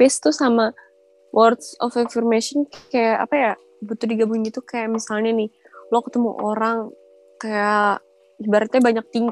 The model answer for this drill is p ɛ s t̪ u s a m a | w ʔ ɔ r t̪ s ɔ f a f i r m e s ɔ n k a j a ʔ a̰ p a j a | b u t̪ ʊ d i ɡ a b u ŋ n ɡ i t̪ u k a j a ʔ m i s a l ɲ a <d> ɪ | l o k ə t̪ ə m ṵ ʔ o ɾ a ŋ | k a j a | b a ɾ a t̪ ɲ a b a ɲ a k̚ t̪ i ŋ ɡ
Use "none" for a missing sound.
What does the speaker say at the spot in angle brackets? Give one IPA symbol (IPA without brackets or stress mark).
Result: n